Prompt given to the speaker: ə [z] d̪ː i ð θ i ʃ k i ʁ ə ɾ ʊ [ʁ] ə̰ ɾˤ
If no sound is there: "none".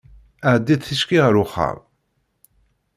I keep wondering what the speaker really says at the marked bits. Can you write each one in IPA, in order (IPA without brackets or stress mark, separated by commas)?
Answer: ʕ, χ